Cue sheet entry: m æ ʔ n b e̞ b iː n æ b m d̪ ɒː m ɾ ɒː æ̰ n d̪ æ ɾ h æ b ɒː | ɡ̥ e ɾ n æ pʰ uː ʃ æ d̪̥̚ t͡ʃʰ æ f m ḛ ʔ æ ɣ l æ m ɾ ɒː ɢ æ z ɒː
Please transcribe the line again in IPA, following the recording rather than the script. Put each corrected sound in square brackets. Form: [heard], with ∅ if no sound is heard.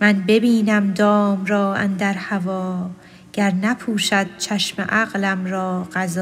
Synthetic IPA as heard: m æ [∅] n b e̞ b iː n æ [∅] m d̪ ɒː m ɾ ɒː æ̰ n d̪ æ ɾ h æ [v] ɒː | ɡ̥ [æ] ɾ n æ pʰ uː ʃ æ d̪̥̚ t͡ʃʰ æ [ʃ] m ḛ ʔ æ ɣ l æ m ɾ ɒː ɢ æ z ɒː